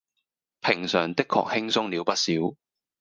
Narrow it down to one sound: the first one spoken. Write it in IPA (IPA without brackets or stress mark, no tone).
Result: pʰ